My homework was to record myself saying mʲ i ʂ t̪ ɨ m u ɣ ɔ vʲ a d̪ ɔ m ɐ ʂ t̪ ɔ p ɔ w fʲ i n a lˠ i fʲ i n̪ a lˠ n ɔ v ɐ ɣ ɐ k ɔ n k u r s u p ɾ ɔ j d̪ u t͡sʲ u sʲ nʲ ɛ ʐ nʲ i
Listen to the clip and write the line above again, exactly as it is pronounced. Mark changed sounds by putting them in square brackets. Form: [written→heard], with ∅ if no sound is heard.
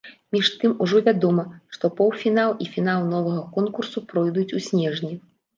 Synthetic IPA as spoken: mʲ i ʂ t̪ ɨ m u [ɣ→ʐ] ɔ vʲ a d̪ ɔ m ɐ ʂ t̪ ɔ p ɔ w fʲ i n a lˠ i fʲ i n̪ a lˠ n ɔ v ɐ ɣ ɐ k ɔ n k u r s u p ɾ ɔ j d̪ u t͡sʲ u sʲ nʲ ɛ ʐ nʲ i